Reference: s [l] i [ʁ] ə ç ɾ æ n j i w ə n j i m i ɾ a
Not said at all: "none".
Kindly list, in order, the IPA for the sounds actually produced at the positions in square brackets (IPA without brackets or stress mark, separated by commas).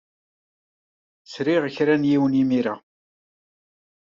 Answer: ɾ, ʁ